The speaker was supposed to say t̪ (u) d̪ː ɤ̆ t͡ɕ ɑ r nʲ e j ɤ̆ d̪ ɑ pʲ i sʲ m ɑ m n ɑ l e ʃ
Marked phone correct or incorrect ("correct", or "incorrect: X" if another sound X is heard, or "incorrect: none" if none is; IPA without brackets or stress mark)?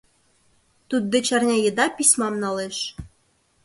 correct